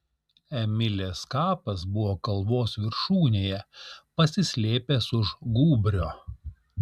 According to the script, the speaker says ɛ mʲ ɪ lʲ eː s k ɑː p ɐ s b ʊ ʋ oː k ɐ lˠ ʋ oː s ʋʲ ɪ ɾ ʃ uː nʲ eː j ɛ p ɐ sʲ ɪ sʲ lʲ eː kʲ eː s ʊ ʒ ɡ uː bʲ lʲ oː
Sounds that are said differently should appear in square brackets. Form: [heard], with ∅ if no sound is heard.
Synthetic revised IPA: ɛ mʲ ɪ lʲ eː s k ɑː p ɐ s b ʊ ʋ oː k ɐ lˠ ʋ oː s ʋʲ ɪ ɾ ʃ uː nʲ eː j ɛ p ɐ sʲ ɪ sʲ lʲ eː [pʲ] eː s ʊ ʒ ɡ uː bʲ [ɾʲ] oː